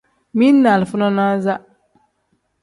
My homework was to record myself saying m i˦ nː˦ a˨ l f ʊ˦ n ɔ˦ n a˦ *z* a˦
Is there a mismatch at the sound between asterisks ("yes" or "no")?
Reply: no